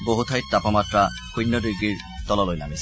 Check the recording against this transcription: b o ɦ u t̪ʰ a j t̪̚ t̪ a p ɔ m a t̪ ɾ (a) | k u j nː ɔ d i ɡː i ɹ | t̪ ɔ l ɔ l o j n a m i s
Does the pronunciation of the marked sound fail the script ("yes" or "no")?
no